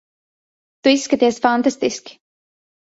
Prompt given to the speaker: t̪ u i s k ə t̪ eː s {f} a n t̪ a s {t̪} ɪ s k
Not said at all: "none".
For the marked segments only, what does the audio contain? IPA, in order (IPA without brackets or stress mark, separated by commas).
f, t̪